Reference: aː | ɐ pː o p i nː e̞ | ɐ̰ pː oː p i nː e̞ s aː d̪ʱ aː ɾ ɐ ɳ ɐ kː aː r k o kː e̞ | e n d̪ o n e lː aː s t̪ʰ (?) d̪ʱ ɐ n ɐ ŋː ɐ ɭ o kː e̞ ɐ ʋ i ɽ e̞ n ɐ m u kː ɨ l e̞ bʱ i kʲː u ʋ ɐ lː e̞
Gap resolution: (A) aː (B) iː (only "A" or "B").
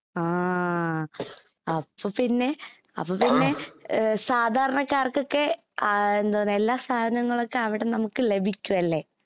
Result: A